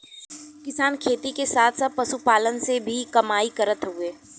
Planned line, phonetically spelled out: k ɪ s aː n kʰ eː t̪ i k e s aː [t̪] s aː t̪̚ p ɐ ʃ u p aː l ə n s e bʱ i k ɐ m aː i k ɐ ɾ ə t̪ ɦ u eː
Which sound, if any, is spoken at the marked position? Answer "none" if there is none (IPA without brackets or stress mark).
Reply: t̪ʰ